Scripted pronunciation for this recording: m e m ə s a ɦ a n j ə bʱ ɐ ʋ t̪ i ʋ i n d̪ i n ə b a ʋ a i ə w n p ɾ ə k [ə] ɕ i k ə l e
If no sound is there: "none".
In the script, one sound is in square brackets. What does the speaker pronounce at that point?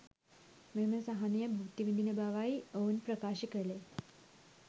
a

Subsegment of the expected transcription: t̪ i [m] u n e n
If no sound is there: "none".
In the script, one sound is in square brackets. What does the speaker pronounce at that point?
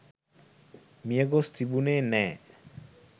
b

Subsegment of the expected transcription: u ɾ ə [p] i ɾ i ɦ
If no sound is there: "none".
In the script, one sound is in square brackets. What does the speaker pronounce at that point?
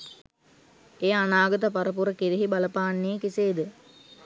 k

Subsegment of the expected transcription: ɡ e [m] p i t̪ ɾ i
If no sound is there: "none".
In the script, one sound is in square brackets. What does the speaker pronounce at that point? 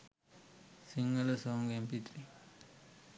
m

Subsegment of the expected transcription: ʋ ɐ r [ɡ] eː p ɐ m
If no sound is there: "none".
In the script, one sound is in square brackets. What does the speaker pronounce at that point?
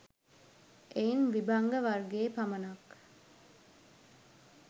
ɡ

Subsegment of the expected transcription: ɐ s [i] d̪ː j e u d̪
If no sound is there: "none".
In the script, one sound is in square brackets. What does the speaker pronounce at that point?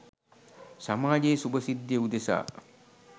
i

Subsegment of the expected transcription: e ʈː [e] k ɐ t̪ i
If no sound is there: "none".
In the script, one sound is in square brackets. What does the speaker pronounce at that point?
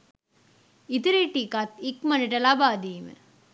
i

